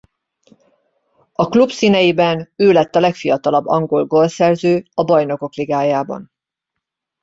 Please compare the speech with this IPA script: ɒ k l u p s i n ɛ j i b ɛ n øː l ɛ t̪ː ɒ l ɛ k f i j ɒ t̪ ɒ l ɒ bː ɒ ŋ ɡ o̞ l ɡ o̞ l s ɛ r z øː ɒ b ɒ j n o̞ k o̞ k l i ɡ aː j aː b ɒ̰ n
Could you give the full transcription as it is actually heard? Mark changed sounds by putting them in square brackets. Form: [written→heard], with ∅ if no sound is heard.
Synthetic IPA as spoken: ɒ k l u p s i n ɛ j i b ɛ n øː l ɛ t̪ː ɒ l ɛ k f i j ɒ t̪ ɒ l ɒ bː ɒ ŋ ɡ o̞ l ɡ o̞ l s ɛ r z øː ɒ b ɒ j n o̞ k o̞ k l i ɡ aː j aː b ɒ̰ n